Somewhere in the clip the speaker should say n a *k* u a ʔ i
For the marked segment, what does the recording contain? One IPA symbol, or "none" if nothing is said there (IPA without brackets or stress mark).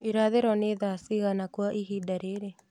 k